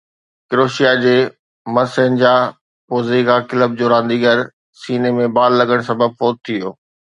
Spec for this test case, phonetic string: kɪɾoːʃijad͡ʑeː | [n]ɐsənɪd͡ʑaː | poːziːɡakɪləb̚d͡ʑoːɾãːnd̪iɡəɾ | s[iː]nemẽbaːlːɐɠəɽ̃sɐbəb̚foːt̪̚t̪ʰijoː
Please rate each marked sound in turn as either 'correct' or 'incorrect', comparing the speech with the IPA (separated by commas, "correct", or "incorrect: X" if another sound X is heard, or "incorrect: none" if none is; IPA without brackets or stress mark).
incorrect: m, correct